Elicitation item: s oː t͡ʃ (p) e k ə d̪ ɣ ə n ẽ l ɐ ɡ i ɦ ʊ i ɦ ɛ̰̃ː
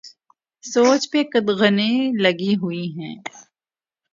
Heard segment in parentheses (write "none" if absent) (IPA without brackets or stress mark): p